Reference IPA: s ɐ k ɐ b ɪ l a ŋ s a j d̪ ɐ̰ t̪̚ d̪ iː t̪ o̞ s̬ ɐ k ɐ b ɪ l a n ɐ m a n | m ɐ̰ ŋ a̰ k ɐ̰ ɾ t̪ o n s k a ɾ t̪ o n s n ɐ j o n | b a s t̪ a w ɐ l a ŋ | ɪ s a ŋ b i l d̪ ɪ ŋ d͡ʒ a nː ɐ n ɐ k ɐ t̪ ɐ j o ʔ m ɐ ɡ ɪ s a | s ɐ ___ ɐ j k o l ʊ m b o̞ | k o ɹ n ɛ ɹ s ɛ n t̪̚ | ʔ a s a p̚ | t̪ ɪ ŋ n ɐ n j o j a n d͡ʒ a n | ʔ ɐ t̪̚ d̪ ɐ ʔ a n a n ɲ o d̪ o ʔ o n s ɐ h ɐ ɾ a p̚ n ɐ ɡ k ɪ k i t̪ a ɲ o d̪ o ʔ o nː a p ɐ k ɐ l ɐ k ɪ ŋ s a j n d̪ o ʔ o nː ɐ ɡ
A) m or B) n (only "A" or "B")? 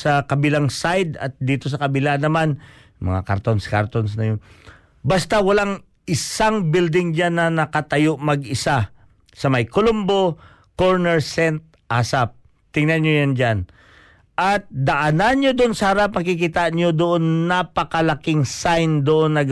A